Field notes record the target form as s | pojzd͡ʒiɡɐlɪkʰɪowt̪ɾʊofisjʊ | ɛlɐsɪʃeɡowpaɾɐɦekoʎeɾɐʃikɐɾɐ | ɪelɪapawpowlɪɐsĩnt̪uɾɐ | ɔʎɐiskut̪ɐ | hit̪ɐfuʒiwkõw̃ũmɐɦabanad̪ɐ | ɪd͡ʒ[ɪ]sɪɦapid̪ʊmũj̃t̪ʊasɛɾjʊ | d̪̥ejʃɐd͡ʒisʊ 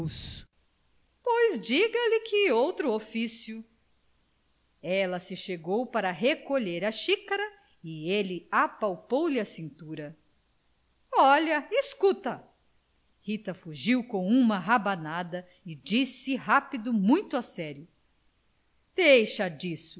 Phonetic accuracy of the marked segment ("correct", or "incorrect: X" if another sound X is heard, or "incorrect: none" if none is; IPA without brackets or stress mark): incorrect: i